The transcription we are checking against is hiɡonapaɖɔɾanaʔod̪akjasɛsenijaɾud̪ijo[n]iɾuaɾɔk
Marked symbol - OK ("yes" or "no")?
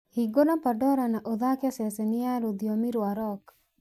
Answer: no